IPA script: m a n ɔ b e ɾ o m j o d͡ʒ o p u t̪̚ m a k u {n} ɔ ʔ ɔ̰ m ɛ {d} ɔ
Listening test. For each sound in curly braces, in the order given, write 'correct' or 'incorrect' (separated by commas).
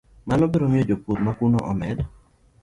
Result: correct, correct